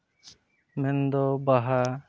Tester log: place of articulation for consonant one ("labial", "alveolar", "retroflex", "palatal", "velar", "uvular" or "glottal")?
labial